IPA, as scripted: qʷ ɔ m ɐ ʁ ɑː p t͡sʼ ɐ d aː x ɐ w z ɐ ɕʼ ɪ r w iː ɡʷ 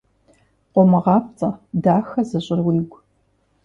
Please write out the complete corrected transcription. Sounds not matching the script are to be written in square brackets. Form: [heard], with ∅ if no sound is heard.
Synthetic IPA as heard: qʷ ɔ m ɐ ʁ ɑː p t͡sʼ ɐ d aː x ɐ [∅] z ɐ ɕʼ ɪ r w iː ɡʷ